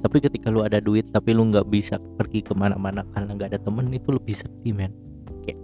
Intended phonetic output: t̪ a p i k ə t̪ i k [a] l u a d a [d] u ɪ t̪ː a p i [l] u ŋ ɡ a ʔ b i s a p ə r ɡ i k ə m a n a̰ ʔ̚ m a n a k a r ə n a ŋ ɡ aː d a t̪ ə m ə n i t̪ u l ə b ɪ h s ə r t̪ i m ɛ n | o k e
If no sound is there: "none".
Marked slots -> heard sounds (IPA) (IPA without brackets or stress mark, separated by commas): a, d, l